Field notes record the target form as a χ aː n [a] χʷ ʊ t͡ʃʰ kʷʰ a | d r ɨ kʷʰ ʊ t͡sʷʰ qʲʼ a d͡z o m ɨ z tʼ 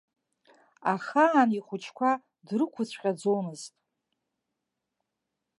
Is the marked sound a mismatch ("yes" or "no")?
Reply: yes